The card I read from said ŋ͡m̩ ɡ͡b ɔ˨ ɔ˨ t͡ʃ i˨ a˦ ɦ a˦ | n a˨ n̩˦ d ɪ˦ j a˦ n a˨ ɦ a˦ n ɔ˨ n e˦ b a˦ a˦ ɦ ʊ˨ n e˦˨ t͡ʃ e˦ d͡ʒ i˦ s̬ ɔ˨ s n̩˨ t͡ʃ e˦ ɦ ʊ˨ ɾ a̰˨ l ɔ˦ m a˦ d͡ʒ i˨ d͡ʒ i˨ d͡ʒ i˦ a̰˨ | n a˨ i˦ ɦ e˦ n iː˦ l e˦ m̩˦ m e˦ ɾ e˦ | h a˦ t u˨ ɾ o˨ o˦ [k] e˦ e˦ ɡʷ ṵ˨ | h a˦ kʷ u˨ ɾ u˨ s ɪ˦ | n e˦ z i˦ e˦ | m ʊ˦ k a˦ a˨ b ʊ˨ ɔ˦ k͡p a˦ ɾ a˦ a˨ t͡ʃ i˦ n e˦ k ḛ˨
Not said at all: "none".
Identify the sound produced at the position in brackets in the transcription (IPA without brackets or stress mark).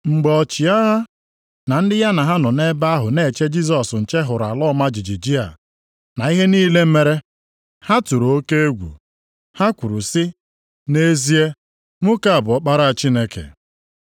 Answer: k